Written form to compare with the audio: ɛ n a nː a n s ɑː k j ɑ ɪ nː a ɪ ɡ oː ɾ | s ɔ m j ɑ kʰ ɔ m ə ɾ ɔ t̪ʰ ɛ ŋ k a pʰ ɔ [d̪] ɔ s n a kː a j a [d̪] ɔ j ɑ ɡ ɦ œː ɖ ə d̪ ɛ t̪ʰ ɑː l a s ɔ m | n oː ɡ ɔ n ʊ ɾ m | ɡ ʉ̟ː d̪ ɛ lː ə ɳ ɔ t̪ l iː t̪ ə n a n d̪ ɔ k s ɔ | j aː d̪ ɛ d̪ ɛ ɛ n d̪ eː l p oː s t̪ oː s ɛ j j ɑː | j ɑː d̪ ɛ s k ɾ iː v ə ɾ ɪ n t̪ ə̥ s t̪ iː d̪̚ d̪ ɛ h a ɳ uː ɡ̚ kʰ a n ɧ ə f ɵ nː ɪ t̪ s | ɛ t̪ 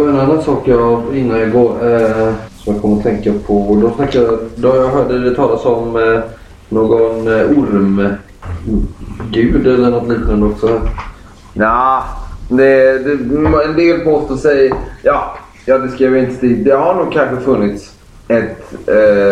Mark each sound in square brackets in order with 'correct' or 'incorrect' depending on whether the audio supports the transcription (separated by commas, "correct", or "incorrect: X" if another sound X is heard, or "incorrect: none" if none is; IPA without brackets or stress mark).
correct, correct